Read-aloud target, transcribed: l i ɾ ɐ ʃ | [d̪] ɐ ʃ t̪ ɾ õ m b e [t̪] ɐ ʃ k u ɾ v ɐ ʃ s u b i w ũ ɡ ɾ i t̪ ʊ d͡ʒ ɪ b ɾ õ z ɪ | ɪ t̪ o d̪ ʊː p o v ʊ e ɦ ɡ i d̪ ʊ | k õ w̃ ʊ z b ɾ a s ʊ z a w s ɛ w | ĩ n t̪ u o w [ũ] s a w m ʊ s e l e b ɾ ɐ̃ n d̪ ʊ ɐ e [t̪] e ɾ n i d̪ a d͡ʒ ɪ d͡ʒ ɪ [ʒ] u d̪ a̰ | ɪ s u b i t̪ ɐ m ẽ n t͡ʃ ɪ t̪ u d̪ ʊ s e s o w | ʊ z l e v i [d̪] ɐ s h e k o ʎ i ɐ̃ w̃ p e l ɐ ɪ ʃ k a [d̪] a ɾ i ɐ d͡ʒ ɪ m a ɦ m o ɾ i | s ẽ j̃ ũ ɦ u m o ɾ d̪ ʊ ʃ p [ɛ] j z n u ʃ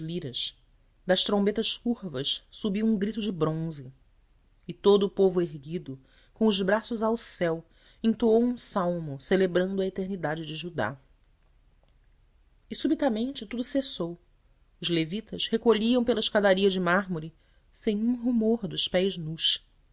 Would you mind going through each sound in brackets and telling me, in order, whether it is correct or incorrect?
correct, correct, correct, correct, correct, incorrect, correct, correct

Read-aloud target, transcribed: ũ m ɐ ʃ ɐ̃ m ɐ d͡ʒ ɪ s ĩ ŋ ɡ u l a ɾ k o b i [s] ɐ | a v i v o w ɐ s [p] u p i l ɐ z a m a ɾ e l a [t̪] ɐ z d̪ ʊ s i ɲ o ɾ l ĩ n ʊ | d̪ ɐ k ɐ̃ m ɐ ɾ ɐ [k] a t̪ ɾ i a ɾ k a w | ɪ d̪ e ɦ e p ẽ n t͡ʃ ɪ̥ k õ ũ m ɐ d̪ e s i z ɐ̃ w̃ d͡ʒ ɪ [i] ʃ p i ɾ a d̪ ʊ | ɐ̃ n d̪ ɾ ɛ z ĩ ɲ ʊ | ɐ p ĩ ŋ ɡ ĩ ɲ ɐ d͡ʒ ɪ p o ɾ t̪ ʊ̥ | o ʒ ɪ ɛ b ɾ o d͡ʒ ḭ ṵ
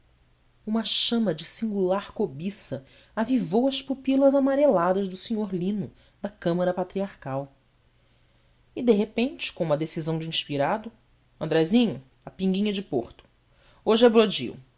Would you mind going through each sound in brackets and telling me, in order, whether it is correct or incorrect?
correct, correct, incorrect, incorrect, incorrect

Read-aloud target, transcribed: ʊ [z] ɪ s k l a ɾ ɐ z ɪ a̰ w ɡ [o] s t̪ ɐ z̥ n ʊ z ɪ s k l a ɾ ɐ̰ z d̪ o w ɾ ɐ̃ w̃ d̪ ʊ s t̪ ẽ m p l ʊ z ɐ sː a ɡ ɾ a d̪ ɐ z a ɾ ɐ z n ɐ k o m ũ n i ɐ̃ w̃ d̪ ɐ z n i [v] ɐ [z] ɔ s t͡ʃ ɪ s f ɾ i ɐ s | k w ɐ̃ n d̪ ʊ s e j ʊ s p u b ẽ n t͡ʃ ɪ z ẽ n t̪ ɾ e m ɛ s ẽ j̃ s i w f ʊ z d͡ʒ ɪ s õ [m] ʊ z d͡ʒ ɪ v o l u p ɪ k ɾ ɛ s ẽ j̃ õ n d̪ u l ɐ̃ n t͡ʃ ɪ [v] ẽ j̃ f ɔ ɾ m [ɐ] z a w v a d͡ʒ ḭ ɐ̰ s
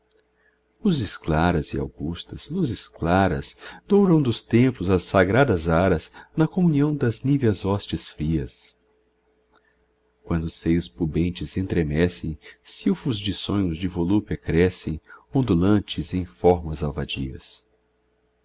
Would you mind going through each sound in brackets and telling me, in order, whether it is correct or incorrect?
correct, incorrect, correct, correct, incorrect, incorrect, correct

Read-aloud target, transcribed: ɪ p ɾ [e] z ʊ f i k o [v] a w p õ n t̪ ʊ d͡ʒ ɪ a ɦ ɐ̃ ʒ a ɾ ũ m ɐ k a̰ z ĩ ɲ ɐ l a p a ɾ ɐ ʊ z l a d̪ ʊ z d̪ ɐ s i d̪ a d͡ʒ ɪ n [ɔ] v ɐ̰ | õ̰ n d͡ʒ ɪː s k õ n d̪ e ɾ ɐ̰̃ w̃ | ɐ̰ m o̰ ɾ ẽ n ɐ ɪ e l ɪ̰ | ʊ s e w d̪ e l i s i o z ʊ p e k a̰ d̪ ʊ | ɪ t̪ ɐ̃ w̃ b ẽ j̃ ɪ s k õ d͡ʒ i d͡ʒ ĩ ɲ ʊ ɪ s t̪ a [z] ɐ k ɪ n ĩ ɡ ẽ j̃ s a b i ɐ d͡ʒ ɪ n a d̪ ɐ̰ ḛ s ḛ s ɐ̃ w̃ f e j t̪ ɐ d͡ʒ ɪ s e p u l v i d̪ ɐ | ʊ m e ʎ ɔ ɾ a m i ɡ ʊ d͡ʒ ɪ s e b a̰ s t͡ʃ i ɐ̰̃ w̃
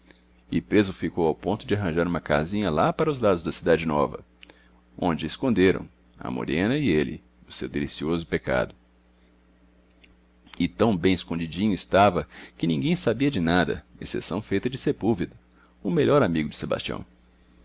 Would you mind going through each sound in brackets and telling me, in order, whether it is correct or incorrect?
correct, incorrect, correct, incorrect

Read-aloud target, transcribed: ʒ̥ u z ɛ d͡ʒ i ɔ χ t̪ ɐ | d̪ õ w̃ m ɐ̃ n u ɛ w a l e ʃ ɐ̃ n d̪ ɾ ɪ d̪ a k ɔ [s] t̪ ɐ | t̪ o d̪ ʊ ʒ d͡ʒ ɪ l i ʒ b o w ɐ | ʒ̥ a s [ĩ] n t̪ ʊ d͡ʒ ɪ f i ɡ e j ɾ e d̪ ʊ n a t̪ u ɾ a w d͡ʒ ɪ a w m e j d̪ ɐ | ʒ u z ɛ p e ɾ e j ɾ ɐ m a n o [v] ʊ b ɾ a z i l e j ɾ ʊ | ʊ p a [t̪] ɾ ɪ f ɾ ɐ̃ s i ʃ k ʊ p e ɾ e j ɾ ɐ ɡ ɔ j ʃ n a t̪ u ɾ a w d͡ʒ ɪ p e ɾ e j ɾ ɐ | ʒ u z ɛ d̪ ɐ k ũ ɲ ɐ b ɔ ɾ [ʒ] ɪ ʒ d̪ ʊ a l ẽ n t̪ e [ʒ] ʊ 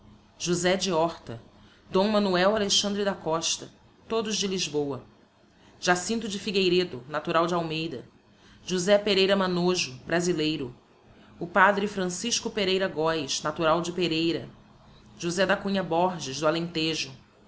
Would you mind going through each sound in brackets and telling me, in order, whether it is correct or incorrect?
incorrect, correct, incorrect, incorrect, correct, correct

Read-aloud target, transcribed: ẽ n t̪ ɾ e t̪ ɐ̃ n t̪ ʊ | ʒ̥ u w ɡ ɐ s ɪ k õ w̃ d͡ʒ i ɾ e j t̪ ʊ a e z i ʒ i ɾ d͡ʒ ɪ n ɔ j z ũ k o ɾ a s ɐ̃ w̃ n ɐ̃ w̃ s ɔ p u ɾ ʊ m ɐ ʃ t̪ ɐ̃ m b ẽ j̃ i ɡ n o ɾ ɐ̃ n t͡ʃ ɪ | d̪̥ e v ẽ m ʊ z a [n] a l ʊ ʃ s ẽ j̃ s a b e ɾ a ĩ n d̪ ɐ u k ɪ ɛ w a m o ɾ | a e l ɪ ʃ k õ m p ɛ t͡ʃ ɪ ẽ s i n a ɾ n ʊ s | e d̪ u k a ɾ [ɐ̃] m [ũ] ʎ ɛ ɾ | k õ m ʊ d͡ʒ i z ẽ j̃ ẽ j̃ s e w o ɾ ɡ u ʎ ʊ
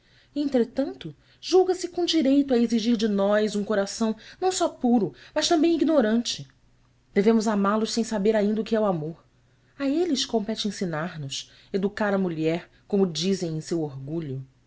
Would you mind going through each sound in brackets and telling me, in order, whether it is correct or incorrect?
incorrect, incorrect, incorrect

